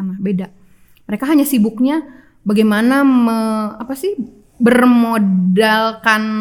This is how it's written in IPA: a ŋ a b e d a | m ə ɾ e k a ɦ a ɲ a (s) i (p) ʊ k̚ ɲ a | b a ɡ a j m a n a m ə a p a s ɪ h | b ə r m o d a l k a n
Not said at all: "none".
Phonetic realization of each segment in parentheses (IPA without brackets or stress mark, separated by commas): s, b